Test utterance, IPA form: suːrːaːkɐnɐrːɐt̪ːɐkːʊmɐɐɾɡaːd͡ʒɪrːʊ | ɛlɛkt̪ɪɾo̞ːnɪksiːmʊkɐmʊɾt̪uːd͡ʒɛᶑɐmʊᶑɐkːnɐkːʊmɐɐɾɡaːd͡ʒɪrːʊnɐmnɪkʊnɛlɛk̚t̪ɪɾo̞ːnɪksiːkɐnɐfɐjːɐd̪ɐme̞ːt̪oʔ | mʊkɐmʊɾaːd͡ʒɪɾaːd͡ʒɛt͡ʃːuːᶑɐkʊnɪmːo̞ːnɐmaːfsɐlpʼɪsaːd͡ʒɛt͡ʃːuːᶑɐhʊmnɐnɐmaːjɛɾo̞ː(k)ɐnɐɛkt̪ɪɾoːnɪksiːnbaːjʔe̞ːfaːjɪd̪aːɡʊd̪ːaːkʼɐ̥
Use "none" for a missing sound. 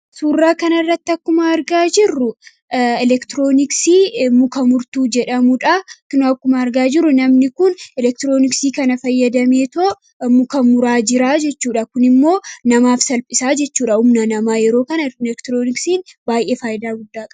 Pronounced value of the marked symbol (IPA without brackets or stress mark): k